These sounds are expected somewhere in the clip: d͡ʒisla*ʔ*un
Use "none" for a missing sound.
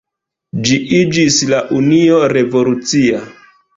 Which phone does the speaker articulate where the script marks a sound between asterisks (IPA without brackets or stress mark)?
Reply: ʔ